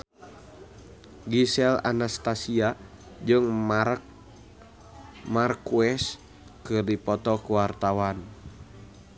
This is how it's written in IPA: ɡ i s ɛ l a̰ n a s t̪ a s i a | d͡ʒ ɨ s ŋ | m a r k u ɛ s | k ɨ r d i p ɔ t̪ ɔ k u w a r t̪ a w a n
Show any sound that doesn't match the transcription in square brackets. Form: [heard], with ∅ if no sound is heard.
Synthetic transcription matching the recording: ɡ i s ɛ l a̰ n a s t̪ a s i a | d͡ʒ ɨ [∅] ŋ | m a r k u ɛ s | k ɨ r d i p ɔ t̪ ɔ k u w a r t̪ a w a n